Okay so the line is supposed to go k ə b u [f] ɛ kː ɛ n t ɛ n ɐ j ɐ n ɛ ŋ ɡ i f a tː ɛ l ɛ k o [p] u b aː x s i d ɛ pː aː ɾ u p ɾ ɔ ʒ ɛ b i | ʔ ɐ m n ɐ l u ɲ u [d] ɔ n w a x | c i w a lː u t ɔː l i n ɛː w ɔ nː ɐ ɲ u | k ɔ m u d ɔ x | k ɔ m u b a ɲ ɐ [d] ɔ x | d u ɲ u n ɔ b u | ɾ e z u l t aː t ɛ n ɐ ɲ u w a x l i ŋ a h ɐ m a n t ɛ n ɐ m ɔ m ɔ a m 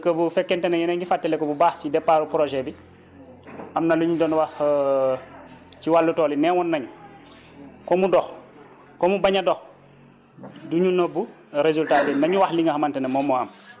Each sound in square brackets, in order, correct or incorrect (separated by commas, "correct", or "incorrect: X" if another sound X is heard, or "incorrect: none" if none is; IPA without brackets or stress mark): correct, incorrect: b, correct, correct